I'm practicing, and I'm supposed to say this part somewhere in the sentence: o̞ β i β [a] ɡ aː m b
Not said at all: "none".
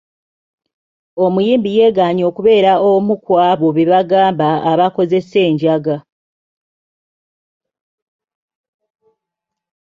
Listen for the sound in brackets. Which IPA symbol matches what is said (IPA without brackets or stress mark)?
a